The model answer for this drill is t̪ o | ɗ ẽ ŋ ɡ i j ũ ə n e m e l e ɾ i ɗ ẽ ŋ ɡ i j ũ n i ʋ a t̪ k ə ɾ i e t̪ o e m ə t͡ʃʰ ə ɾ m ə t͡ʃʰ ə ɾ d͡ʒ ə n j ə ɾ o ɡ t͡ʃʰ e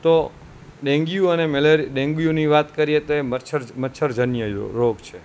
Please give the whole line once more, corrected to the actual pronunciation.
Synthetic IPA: t̪ o | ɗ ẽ ŋ ɡ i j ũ ə n e m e l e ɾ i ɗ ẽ ŋ ɡ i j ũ n i ʋ a t̪ k ə ɾ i e t̪ o e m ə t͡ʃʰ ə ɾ m ə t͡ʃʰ ə ɾ d͡ʒ ə n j ə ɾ o ɡ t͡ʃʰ e